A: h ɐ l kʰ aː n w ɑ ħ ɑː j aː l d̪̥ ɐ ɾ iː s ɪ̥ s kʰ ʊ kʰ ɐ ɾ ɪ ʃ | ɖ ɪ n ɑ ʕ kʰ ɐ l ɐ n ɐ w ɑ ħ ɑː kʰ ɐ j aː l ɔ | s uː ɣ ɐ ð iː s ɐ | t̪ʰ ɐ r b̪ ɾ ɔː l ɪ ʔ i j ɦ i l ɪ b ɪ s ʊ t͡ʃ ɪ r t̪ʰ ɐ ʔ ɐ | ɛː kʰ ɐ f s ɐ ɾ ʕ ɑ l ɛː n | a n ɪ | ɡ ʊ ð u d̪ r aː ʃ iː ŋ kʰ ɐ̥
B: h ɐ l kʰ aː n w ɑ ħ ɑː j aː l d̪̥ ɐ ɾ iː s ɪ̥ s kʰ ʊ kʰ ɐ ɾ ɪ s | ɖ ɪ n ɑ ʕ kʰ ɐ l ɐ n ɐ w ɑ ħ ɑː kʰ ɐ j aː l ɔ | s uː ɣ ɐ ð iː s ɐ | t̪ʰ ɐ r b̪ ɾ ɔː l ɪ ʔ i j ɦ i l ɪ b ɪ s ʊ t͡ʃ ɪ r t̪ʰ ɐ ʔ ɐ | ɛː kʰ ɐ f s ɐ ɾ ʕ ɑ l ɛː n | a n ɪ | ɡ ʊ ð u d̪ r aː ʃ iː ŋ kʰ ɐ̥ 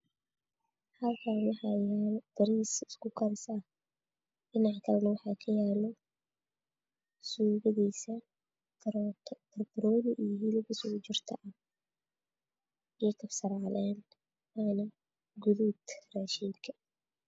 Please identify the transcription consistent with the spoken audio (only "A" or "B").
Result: B